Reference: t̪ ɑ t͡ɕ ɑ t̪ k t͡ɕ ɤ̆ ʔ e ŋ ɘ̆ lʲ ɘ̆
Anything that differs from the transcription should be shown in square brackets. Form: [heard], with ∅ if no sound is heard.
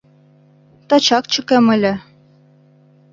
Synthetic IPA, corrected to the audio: t̪ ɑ t͡ɕ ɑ [∅] k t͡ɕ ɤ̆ [k] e [m] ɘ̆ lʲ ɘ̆